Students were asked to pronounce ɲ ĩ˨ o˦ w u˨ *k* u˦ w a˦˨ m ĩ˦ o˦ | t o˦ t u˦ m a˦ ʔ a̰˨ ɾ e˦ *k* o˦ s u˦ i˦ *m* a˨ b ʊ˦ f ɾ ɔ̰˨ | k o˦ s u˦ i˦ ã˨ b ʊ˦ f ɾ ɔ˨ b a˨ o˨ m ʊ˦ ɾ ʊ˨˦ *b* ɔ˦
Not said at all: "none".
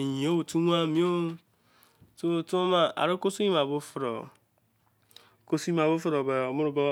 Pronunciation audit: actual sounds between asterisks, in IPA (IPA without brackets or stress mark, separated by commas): t, k, m, b